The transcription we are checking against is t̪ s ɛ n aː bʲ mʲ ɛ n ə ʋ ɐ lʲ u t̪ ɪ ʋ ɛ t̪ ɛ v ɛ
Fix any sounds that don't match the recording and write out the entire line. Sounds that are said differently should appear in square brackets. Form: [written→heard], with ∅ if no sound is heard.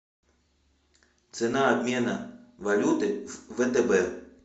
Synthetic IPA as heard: t̪ s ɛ n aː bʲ mʲ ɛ n [ə→ɐ] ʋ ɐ lʲ u t̪ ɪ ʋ ɛ t̪ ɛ [v→b] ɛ

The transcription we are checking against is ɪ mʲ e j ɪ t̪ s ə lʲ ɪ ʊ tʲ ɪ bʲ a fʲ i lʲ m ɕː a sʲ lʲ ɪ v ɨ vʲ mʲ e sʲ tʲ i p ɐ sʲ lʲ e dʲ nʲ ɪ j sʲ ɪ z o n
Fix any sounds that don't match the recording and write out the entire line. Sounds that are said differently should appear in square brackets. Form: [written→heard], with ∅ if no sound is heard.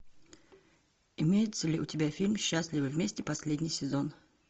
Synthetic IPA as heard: ɪ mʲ e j ɪ t̪ s ə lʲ ɪ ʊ tʲ ɪ bʲ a fʲ i lʲ m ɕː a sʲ lʲ ɪ v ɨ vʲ mʲ e sʲ tʲ [i→ɪ] p ɐ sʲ lʲ e dʲ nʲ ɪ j sʲ ɪ z o n

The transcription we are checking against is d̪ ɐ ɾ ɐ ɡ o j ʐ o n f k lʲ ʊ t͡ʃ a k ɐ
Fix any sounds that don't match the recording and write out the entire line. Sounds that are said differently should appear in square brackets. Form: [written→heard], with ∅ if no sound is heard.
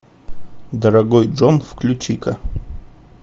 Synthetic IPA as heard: d̪ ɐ ɾ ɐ ɡ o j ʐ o n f k lʲ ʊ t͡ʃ [a→i] k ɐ

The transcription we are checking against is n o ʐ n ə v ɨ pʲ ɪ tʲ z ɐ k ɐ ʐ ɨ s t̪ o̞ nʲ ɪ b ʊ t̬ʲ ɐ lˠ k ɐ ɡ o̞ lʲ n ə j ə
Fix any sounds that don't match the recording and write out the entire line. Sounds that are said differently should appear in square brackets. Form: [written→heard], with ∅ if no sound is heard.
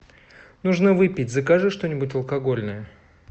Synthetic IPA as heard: n [o→u] ʐ n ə v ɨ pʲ ɪ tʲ z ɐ k [ɐ→a] ʐ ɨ [s→ʂ] t̪ o̞ nʲ ɪ b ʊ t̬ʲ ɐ lˠ k ɐ ɡ o̞ lʲ n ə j ə

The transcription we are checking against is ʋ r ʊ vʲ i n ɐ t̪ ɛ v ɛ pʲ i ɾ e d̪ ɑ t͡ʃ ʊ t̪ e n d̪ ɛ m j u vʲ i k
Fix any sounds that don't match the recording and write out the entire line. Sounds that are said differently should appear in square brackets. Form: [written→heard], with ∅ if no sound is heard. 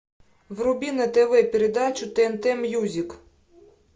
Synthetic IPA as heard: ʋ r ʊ [vʲ→bʲ] i n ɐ t̪ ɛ [v→ʋ] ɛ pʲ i ɾ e d̪ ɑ t͡ʃ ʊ t̪ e n [d̪→t̪] ɛ m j u [vʲ→zʲ] i k

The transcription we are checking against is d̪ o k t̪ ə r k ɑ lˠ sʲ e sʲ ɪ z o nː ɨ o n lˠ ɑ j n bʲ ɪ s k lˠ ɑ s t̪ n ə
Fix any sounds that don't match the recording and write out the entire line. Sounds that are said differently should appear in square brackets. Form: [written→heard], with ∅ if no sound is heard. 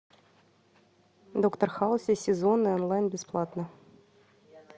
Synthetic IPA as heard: d̪ o k t̪ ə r [k→x] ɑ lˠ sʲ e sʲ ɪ z o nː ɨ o n lˠ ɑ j n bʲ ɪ s [k→p] lˠ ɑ [s→∅] t̪ n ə

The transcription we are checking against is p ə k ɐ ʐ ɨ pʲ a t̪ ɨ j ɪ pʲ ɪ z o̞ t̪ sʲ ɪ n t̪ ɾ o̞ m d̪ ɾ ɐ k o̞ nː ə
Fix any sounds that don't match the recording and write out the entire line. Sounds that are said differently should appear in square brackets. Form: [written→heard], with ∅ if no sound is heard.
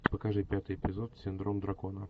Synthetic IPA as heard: p ə k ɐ ʐ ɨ pʲ a t̪ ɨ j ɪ pʲ ɪ z o̞ t̪ sʲ ɪ n [t̪→d̪] ɾ o̞ m d̪ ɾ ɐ k o̞ [nː→n] ə

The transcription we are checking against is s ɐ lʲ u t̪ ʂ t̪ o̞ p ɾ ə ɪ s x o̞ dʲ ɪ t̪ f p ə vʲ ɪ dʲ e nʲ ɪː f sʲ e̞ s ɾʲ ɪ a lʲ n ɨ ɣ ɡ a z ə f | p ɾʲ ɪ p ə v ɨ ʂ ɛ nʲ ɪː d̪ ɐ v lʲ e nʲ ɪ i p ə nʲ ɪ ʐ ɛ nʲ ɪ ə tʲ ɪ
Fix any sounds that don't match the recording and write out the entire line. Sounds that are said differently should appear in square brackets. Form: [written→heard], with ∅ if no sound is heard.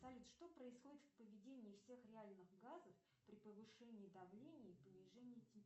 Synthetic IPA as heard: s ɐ lʲ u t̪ ʂ t̪ o̞ p ɾ ə ɪ s x o̞ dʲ ɪ t̪ f p ə vʲ ɪ dʲ e nʲ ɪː f sʲ e̞ [s→x] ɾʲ ɪ a lʲ n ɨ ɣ ɡ a z ə f | p ɾʲ ɪ p ə v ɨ ʂ ɛ nʲ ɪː d̪ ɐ v lʲ e nʲ ɪ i p ə nʲ ɪ ʐ ɛ nʲ ɪ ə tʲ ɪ

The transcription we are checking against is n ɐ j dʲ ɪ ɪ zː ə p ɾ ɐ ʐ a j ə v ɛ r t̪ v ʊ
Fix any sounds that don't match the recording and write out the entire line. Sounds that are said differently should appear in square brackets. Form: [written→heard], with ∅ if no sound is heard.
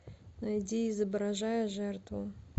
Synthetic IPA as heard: n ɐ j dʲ [ɪ→i] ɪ [zː→z] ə [p→b] ɾ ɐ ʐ a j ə [v→ʐ] ɛ r t̪ v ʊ

